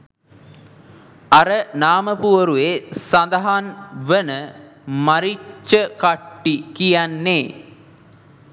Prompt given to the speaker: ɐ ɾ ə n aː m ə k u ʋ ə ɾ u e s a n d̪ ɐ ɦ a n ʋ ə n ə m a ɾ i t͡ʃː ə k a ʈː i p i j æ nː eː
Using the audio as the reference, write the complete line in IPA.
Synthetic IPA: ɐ ɾ ə n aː m ə p u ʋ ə ɾ u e s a n d̪ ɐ ɦ a n ʋ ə n ə m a ɾ i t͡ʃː ə k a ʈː i k i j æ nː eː

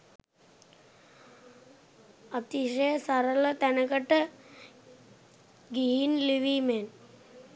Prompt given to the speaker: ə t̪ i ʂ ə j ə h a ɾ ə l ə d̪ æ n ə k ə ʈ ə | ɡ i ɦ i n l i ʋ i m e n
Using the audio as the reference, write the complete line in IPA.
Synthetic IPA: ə t̪ i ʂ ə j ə s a ɾ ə l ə t̪ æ n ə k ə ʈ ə | ɡ i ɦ i n l i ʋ i m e n

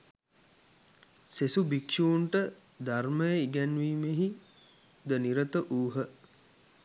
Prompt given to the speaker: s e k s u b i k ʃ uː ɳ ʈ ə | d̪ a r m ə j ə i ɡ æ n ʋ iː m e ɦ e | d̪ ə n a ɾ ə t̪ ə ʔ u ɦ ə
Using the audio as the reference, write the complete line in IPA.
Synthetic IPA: s e s u b i k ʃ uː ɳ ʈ ə | d̪ a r m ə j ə i ɡ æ n ʋ iː m e ɦ i | d̪ ə n i ɾ ə t̪ ə ʔ uː ɦ ə

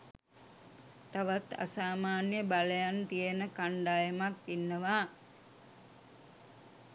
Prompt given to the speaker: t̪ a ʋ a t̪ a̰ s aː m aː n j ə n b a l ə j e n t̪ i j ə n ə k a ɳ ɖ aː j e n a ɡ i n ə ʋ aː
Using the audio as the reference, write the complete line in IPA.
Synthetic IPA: t̪ a ʋ a t̪ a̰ s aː m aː n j ə b a l ə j a n t̪ i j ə n ə k a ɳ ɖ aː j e m a k i nː ə ʋ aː

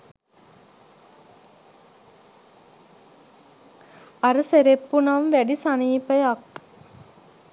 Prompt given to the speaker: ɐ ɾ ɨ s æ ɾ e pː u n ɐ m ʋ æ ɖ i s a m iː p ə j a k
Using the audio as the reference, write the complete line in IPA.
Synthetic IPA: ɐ ɾ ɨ s e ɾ e pː u n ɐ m ʋ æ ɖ i s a n iː p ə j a k

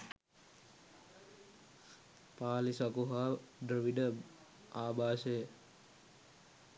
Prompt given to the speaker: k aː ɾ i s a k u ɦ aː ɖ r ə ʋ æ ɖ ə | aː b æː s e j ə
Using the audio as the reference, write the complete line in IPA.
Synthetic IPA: p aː l i s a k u ɦ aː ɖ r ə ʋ i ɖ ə | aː b aː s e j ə

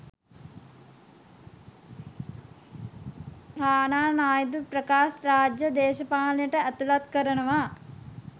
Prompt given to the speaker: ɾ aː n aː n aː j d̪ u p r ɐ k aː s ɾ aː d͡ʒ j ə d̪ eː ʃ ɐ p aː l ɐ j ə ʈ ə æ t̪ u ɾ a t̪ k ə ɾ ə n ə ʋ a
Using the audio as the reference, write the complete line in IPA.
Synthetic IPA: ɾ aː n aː n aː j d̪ u p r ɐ k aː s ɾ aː d͡ʒ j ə d̪ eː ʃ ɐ p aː l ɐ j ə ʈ ə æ t̪ u l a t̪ k ə ɾ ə n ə ʋ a

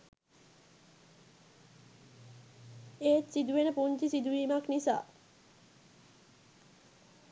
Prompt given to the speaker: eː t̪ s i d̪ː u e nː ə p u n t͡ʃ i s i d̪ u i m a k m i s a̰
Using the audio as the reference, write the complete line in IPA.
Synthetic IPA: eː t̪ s i d̪ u e n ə p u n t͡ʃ i s i d̪ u i m a k n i s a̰

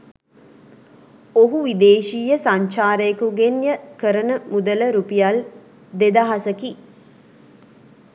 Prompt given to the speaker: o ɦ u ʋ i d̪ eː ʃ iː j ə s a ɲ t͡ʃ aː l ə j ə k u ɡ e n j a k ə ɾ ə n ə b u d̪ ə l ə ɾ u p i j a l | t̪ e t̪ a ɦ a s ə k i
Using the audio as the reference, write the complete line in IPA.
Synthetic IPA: o ɦ u ʋ i d̪ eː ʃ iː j ə s a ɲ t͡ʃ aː ɾ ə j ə k u ɡ e n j ə k ə ɾ ə n ə m u d̪ ə l ə ɾ u p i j a l | d̪ e d̪ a ɦ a s ə k i

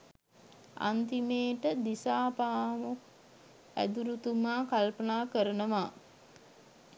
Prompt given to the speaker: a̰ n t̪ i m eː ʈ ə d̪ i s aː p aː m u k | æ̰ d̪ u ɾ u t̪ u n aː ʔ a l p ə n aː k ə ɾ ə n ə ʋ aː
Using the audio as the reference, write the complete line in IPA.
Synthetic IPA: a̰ n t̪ i m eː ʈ ə d̪ i s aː p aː m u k | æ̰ d̪ u ɾ u t̪ u m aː k a l p ə n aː k ə ɾ ə n ə ʋ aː

